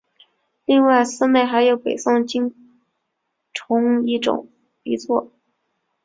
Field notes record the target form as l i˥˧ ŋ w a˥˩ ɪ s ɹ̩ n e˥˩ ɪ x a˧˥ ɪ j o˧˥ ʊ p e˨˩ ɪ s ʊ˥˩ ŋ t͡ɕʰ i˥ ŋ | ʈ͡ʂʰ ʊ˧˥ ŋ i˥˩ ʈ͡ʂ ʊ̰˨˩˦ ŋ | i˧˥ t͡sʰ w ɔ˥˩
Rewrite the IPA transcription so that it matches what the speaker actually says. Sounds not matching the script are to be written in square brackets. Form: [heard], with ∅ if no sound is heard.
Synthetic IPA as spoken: l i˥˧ ŋ w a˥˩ ɪ s ɹ̩ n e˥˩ ɪ x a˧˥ ɪ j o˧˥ ʊ p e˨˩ ɪ s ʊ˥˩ ŋ [t͡ɕ] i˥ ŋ | ʈ͡ʂʰ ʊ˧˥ ŋ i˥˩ ʈ͡ʂ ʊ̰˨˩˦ ŋ | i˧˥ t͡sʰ w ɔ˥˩

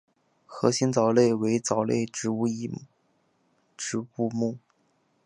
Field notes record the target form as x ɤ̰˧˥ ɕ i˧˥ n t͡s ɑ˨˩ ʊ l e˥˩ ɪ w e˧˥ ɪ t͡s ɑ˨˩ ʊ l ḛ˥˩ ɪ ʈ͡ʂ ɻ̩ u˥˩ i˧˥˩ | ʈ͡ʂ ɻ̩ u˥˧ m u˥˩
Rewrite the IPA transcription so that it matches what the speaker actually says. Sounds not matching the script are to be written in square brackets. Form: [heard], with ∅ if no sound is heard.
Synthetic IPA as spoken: x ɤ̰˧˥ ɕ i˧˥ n t͡s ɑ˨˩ ʊ l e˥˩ ɪ w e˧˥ ɪ t͡s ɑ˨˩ ʊ l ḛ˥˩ ɪ ʈ͡ʂ ɻ̩ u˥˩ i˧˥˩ | ʈ͡ʂ ɻ̩ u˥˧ m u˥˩

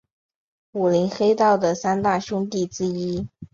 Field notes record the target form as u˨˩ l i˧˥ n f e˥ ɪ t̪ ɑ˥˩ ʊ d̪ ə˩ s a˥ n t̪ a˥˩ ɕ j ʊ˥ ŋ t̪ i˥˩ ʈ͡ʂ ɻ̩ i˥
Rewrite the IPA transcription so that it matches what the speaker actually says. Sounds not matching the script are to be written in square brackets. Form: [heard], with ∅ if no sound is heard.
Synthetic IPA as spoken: u˨˩ l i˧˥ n [x] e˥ ɪ t̪ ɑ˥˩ ʊ d̪ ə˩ s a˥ n t̪ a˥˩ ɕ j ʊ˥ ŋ t̪ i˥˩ ʈ͡ʂ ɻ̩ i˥

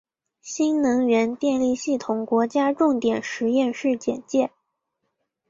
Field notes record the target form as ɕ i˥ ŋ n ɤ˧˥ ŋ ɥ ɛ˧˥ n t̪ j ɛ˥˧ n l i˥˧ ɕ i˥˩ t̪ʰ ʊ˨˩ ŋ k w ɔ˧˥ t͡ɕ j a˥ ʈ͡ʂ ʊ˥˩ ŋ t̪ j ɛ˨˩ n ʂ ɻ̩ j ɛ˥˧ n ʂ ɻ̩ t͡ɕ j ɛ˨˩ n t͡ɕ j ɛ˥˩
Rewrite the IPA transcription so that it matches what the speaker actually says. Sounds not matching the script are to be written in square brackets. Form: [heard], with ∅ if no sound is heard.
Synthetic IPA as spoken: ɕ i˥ [n] n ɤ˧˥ ŋ ɥ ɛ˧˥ n t̪ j ɛ˥˧ n l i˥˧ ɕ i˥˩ t̪ʰ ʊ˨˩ ŋ k w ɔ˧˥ t͡ɕ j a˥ ʈ͡ʂ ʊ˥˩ ŋ t̪ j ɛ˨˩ n ʂ ɻ̩ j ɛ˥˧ n ʂ ɻ̩ t͡ɕ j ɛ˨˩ n t͡ɕ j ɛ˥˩

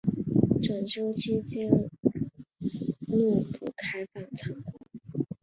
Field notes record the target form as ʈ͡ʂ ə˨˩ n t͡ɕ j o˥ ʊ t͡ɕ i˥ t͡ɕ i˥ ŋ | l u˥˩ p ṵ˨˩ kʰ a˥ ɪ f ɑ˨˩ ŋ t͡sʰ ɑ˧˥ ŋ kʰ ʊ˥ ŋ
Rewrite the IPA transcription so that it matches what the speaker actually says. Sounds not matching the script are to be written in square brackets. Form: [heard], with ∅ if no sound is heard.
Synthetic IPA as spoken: ʈ͡ʂ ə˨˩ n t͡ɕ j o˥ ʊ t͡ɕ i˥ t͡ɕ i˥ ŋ | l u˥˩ p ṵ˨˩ kʰ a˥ ɪ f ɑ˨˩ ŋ t͡sʰ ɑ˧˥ ŋ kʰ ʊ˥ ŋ

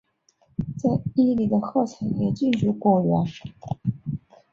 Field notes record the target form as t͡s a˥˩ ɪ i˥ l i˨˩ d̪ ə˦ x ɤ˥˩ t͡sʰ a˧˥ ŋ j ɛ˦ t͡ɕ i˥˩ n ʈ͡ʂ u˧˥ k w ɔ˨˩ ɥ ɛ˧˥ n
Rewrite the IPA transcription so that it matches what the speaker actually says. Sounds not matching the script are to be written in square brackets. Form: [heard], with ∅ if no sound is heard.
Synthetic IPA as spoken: t͡s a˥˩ ɪ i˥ l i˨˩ d̪ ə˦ x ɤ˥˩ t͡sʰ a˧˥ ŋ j [ɛ˧˩] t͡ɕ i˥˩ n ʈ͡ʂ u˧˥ k w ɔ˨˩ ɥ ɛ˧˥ n

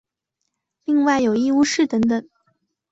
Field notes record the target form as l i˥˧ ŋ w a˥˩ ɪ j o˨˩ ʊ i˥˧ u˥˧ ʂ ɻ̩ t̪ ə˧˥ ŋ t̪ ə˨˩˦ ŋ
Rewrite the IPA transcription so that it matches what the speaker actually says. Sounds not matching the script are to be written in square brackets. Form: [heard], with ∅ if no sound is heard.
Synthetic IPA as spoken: l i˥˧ ŋ w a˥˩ ɪ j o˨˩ ʊ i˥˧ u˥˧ ʂ ɻ̩ t̪ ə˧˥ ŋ t̪ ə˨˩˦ ŋ

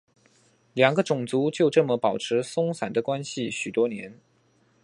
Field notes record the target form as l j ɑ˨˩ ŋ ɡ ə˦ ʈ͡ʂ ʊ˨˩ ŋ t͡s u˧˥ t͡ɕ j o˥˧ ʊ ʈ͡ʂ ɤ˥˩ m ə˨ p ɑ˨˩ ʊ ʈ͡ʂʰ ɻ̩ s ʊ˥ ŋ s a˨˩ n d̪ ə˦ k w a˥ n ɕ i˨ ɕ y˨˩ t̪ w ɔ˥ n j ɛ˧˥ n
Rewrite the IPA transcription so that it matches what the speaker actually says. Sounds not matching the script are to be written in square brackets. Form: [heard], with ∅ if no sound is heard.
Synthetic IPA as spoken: l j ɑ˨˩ ŋ ɡ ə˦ ʈ͡ʂ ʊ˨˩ ŋ t͡s u˧˥ t͡ɕ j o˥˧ ʊ ʈ͡ʂ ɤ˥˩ m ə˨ p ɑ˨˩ ʊ ʈ͡ʂʰ ɻ̩ s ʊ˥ ŋ s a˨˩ n d̪ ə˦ k w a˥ n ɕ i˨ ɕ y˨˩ t̪ w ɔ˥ n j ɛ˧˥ n

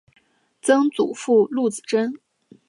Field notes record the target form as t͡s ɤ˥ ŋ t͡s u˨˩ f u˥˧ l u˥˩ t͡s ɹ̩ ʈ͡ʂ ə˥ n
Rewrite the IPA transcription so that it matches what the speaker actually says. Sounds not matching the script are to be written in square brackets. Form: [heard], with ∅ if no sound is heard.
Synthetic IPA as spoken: t͡s ɤ˥ ŋ t͡s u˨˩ f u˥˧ l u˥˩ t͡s ɹ̩ ʈ͡ʂ ə˥ n

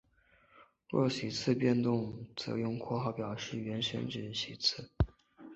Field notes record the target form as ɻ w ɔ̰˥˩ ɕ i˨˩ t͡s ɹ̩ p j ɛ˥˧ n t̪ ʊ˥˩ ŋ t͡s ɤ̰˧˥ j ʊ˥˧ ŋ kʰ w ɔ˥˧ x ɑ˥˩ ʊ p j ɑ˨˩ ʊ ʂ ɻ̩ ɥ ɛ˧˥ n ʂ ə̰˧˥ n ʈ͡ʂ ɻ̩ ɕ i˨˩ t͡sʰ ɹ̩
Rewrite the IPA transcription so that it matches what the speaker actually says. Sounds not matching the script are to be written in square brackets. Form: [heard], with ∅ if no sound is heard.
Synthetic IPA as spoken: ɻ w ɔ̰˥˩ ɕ i˨˩ [t͡sʰ] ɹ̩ p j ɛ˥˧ n t̪ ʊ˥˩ ŋ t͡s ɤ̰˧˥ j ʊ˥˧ ŋ kʰ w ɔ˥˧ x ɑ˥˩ ʊ p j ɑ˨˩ ʊ ʂ ɻ̩ ɥ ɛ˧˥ n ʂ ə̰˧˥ n ʈ͡ʂ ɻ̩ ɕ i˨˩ t͡sʰ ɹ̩

